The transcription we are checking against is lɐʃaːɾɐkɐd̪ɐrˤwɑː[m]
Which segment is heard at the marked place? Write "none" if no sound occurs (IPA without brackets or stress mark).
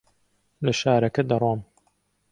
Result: m